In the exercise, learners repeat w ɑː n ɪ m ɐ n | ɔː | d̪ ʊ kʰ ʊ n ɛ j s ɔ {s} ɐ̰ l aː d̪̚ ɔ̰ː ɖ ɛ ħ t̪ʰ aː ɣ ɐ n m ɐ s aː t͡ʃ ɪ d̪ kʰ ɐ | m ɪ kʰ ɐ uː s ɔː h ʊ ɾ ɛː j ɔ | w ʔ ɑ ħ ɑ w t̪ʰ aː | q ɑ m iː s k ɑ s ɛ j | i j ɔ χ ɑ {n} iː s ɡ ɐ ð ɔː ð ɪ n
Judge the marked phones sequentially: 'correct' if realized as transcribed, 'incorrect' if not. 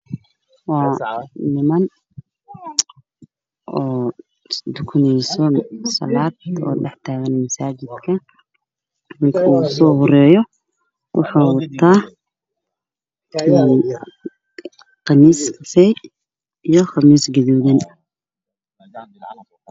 correct, incorrect: m

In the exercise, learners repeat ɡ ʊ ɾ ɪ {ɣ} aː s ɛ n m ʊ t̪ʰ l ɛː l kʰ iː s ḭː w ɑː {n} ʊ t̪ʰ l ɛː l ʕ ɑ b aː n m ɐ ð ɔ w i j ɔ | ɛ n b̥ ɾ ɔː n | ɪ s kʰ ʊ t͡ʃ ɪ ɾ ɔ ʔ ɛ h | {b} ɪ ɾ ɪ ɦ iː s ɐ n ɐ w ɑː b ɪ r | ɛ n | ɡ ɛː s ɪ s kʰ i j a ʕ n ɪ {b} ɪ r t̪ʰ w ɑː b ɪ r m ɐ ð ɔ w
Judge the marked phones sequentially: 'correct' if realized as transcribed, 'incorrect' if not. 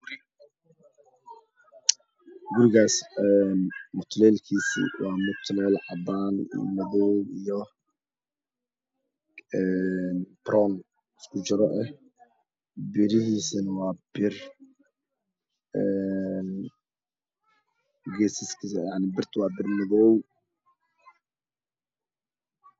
correct, incorrect: m, correct, correct

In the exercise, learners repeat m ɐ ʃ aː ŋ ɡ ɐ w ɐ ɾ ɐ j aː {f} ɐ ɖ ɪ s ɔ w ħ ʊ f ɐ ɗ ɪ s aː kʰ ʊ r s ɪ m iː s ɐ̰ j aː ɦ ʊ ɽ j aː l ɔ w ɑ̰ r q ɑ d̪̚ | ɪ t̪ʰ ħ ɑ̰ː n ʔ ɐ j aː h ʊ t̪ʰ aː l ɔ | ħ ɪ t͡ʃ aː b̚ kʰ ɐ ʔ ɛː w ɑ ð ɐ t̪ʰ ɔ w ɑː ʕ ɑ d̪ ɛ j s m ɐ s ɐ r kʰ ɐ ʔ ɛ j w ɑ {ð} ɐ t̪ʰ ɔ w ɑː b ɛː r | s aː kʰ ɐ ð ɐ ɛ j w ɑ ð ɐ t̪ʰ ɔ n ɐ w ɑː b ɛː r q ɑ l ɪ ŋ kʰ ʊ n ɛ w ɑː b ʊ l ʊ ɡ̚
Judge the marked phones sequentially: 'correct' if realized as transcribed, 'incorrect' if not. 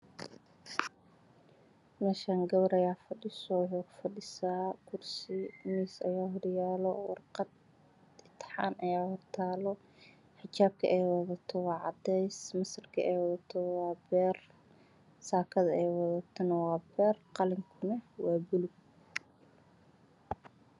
correct, correct

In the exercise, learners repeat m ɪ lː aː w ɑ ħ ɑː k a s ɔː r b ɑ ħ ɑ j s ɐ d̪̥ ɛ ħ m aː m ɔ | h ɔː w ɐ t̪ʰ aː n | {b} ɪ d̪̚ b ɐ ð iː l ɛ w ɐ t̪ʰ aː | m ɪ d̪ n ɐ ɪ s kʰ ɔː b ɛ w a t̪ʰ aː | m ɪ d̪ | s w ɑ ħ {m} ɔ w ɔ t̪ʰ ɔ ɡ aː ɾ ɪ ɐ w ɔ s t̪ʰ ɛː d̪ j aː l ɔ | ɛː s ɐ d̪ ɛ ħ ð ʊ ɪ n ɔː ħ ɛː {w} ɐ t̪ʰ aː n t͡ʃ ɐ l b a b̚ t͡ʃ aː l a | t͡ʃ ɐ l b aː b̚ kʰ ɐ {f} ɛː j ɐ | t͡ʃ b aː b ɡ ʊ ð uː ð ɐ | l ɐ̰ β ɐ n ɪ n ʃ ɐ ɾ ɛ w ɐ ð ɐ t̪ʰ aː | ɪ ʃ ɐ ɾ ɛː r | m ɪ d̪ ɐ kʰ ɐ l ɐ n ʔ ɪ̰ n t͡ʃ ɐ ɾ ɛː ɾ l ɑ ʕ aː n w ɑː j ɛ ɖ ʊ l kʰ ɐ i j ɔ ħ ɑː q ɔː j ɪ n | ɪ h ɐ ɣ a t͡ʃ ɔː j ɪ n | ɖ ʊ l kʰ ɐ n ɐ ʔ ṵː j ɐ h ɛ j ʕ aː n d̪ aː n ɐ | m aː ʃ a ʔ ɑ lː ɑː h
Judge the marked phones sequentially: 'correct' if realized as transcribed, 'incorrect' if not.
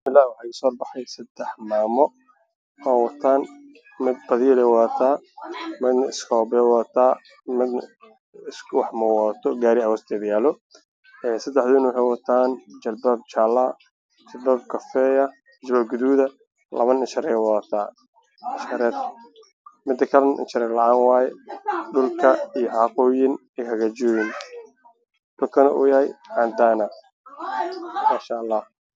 incorrect: m, correct, correct, correct

